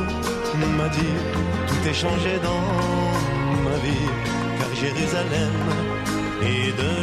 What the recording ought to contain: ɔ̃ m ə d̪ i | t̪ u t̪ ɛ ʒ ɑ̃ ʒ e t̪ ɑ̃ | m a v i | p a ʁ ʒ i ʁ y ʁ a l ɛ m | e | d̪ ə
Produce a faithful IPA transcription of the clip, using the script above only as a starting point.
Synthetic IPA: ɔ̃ m a d̪ i | t̪ u t̪ ɛ ʃ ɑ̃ ʒ e d̪ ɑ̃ | m a v i | k a ʁ ʒ e ʁ y z a l ɛ m | e | d̪ ə